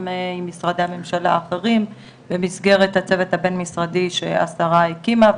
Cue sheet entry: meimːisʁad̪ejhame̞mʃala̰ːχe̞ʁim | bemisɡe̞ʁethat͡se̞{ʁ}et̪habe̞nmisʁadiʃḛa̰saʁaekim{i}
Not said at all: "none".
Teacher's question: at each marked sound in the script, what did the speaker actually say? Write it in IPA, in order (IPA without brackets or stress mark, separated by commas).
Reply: v, a